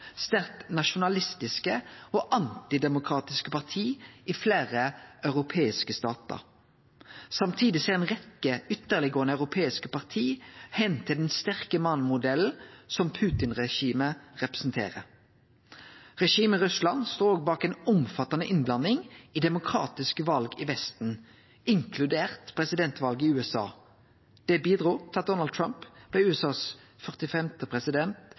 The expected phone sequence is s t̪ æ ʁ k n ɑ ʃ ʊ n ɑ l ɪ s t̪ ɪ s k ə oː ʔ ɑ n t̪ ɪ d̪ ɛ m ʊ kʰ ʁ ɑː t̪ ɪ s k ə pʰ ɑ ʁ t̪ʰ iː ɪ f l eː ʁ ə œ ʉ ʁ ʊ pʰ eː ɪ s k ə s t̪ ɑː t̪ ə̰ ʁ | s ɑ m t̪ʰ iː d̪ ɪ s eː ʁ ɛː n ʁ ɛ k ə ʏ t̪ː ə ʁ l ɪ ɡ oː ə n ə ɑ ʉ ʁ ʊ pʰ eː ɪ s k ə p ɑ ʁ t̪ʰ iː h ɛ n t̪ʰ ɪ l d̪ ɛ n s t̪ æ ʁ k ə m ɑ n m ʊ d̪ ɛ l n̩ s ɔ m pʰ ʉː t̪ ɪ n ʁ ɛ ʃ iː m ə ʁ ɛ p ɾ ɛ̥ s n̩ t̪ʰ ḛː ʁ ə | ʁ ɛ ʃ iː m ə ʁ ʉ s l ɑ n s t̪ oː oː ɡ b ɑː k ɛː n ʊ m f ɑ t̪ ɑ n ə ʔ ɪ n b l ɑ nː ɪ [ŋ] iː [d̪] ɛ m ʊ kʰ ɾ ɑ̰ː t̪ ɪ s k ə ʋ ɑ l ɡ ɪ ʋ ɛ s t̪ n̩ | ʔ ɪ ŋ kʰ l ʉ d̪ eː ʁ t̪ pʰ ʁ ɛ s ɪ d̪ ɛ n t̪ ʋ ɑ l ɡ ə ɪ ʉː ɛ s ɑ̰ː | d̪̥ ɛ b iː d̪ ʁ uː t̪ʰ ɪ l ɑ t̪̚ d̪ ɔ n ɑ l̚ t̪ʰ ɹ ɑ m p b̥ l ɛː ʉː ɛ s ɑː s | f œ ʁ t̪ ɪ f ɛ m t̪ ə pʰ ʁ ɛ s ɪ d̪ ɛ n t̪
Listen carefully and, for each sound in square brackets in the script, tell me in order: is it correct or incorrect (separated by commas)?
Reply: correct, correct